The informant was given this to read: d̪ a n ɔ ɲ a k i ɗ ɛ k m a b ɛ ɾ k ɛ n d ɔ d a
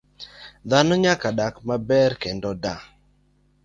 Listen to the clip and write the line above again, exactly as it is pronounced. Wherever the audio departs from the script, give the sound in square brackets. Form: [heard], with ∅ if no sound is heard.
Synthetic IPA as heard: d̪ a n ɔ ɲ a k [a] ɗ [a] k m a b ɛ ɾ k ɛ n d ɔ d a